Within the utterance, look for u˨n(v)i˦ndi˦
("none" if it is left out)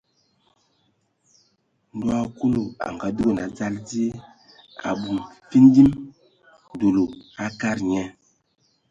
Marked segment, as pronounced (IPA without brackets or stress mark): f